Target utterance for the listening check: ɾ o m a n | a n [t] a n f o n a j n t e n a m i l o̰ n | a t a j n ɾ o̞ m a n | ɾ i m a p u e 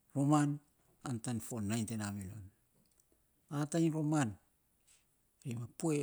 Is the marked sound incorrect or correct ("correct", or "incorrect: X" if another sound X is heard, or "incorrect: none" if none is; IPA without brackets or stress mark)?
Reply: correct